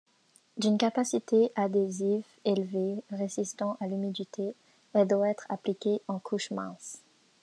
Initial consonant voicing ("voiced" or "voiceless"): voiced